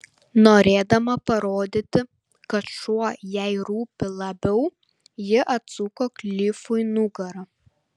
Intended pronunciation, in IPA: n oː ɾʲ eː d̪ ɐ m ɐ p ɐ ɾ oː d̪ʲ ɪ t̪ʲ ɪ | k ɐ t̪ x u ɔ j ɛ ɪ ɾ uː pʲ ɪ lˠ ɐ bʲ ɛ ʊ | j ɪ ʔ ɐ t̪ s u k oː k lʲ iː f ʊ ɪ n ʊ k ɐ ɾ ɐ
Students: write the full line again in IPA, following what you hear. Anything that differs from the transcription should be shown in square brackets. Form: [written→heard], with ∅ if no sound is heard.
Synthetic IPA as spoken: n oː ɾʲ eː d̪ ɐ m ɐ p ɐ ɾ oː d̪ʲ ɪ t̪ʲ ɪ | k ɐ t̪ [x→ʃ] u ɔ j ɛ ɪ ɾ uː pʲ ɪ lˠ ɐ bʲ ɛ ʊ | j ɪ ʔ ɐ t̪ s u k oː k lʲ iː f ʊ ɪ n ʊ [k→ɡ] ɐ ɾ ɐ